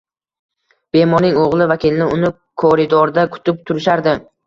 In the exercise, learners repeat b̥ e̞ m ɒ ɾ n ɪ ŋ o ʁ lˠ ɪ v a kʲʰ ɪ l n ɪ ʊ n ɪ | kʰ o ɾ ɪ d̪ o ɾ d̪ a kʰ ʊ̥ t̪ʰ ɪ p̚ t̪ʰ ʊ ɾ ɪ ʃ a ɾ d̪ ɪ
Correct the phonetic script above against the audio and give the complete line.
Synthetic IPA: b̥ e̞ m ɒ ɾ n ɪ ŋ o ʁ lˠ ɪ v a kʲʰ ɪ l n ɪ ʊ n ɪ | kʰ o ɾ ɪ d̪ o ɾ d̪ a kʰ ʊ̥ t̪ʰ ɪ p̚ t̪ʰ ʊ ɾ ɪ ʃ a ɾ d̪ ɪ